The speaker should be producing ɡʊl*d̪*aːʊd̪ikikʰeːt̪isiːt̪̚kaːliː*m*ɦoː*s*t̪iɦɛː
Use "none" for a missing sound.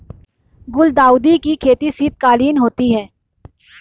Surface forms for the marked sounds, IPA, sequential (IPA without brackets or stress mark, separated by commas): d̪, n, none